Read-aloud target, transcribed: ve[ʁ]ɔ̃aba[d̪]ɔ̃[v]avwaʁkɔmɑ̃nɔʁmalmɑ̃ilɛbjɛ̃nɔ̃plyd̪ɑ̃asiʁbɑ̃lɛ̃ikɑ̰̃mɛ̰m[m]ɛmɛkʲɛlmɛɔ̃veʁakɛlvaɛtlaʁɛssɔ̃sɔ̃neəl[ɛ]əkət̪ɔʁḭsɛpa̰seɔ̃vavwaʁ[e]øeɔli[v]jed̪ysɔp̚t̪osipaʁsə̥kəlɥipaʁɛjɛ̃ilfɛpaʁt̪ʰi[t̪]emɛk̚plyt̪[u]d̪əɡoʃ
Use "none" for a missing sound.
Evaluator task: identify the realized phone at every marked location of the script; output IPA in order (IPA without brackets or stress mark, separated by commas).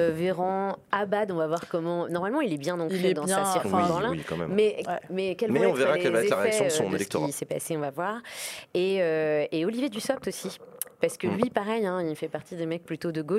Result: ʁ, d̪, v, m, ɛ, e, v, d̪, o